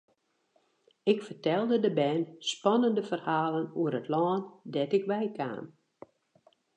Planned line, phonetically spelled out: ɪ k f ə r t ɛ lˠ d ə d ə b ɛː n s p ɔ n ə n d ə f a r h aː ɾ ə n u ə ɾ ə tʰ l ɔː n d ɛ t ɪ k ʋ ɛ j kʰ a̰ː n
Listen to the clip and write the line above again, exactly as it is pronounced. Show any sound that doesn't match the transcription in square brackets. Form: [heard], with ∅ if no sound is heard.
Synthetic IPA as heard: ɪ k f ə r t ɛ lˠ d ə d ə b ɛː n s p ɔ n ə n d ə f [ə] r h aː [l] ə n u ə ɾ ə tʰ l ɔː n d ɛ t ɪ k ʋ ɛ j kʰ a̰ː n